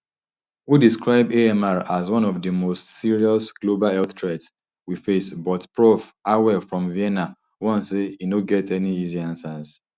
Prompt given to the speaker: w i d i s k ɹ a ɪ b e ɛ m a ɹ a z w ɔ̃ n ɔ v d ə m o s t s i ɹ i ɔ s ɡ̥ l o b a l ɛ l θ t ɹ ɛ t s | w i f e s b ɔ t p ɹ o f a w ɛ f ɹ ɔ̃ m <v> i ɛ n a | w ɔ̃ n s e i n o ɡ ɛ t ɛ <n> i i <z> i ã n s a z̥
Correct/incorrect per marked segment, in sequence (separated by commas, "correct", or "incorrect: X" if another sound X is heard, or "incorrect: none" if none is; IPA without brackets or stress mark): correct, correct, correct